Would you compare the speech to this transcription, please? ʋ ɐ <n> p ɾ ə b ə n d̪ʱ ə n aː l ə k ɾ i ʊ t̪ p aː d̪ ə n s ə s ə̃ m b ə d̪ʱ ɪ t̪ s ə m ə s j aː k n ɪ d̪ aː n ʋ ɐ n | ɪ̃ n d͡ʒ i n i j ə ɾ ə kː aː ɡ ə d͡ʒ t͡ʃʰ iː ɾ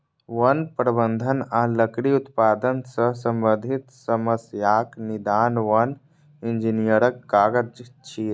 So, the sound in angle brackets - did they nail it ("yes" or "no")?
yes